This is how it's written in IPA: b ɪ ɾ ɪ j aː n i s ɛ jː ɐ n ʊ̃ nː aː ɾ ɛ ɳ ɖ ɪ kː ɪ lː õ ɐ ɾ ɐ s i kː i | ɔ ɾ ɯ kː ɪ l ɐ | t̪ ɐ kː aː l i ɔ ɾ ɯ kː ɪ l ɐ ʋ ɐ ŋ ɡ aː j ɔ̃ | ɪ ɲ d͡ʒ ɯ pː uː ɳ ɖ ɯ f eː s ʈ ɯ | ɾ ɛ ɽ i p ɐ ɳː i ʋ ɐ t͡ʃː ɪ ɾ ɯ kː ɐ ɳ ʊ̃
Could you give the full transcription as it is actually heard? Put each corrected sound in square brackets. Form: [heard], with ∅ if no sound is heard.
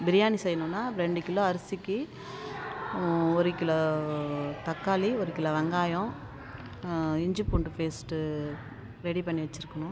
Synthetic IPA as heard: b ɪ ɾ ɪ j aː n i s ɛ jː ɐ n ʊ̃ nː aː ɾ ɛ ɳ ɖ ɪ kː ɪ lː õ ɐ ɾ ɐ s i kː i | ɔ ɾ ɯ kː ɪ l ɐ | t̪ ɐ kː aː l i ɔ ɾ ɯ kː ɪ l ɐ ʋ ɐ ŋ ɡ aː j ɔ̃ | ɪ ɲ d͡ʒ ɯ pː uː ɳ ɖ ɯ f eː s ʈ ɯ | ɾ ɛ ɽ i p ɐ ɳː i ʋ ɐ t͡ʃː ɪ ɾ ɯ kː ɐ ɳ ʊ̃